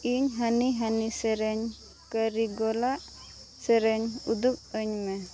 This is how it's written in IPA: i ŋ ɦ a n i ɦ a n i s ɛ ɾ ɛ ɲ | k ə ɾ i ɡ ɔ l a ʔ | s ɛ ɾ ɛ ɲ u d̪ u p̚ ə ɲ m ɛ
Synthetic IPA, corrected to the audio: i ɲ ɦ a n i ɦ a n i s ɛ ɾ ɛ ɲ | k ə ɾ i ɡ ɔ l a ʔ | s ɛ ɾ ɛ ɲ u d̪ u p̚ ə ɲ m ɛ